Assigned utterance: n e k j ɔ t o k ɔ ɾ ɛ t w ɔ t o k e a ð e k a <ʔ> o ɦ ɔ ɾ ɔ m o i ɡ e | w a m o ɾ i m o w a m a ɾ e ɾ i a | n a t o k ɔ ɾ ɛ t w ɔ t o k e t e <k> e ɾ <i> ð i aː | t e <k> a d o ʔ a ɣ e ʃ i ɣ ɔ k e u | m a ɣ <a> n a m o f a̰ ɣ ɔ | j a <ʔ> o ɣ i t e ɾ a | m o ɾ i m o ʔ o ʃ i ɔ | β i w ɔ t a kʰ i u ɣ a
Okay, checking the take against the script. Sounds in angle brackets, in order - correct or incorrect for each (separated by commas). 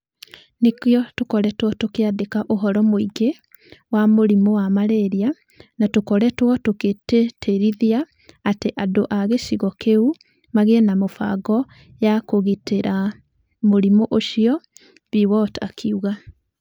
correct, incorrect, correct, incorrect, incorrect, incorrect